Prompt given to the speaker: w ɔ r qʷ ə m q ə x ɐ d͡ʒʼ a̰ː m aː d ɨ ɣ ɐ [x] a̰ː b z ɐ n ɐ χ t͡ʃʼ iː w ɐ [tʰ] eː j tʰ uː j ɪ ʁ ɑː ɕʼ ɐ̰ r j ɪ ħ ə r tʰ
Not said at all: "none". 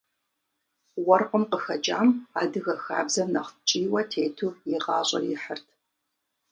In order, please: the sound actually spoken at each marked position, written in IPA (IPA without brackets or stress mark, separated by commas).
x, tʰ